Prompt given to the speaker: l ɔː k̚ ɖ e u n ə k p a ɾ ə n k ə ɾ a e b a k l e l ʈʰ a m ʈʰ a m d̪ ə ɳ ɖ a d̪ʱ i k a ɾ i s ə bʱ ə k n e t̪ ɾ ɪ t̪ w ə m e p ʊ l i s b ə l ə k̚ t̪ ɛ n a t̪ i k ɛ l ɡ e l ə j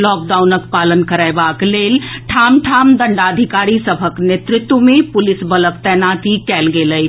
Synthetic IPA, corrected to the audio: l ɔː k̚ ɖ a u n ə k p a l ə n k ə ɾ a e b a k l e l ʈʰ a m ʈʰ a m d̪ ə ɳ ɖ a d̪ʱ i k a ɾ i s ə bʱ ə k n e t̪ ɾ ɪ t̪ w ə m e p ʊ l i s b ə l ə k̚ t̪ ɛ n a t̪ i k ɛ l ɡ e l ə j